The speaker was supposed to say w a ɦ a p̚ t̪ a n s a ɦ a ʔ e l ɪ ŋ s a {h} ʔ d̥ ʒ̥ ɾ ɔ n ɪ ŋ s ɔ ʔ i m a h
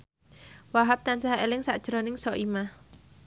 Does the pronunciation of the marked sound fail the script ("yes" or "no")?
yes